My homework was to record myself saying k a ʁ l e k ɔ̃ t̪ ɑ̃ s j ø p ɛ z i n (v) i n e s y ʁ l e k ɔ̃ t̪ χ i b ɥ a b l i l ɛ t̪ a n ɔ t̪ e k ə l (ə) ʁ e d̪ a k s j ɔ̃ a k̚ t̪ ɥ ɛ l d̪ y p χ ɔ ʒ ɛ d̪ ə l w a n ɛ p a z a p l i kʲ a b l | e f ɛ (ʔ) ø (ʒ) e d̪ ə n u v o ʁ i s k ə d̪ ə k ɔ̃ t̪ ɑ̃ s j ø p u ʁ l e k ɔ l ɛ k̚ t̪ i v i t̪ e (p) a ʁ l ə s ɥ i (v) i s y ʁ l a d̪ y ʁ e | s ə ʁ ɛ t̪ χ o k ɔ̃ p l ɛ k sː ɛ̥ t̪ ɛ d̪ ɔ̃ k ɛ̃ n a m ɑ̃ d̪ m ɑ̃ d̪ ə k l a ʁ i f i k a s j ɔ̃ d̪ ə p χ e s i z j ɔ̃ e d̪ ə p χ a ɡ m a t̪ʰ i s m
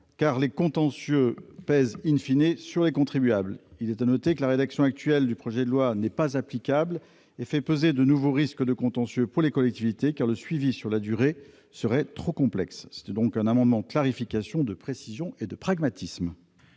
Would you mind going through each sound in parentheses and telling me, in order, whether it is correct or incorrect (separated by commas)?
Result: incorrect, incorrect, incorrect, incorrect, incorrect, correct